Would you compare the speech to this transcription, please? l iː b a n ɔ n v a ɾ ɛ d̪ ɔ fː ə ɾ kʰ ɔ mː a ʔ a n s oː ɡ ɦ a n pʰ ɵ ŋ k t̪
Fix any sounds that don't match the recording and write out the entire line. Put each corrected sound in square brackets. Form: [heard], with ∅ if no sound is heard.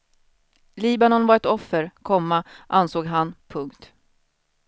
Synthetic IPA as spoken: l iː b a n ɔ n v a ɾ ɛ [t̪] ɔ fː ə ɾ kʰ ɔ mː a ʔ a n s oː ɡ ɦ a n pʰ ɵ ŋ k t̪